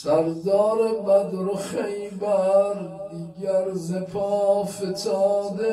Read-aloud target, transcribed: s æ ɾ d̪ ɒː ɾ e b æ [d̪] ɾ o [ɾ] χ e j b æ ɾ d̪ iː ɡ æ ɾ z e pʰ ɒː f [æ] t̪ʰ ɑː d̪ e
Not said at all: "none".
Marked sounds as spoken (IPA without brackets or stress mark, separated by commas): d̪, none, e